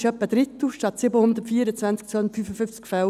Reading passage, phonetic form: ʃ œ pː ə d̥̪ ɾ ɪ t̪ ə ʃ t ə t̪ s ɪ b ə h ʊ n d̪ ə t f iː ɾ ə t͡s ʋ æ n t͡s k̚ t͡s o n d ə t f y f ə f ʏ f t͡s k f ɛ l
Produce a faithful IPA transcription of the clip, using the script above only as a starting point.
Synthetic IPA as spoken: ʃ œ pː ə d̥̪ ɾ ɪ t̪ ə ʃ t ɑ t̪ s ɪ b ə h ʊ n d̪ ə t f iː ɾ ə t͡s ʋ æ n t͡s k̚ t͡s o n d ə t f y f ə f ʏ f t͡s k f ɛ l